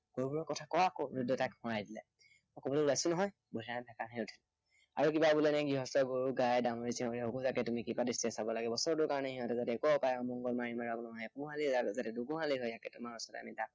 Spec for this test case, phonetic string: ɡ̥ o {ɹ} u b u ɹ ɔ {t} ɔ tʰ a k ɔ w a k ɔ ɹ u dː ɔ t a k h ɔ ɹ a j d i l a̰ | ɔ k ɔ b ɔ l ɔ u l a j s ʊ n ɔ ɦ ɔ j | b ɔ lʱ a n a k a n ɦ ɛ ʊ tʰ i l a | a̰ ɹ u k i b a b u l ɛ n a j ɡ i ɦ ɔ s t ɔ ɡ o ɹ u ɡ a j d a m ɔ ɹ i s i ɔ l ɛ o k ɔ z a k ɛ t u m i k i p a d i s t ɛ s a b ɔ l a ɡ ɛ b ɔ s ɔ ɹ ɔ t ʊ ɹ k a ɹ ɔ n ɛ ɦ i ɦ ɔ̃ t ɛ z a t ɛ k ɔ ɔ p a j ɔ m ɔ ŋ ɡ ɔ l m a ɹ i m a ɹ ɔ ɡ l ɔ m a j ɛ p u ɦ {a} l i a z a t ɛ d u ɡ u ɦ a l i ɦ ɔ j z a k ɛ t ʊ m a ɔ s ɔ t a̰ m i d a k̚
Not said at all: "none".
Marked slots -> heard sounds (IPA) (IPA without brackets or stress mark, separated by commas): ɹ, k, a